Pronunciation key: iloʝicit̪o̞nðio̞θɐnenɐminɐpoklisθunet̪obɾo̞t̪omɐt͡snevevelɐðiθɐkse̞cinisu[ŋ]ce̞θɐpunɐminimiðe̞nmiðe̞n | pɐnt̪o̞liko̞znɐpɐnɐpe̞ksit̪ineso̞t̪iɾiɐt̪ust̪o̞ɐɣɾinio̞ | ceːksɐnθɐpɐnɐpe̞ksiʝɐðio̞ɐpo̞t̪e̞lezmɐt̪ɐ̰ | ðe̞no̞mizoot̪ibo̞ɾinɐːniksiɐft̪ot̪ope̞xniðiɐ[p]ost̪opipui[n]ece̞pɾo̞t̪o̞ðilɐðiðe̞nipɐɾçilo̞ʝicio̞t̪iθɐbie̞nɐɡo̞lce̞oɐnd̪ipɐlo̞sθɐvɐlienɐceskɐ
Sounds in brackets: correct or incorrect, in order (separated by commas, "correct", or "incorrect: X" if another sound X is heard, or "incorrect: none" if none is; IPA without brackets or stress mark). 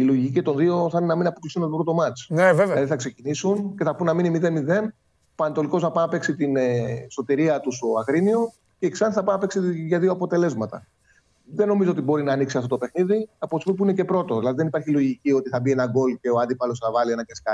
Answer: incorrect: n, correct, correct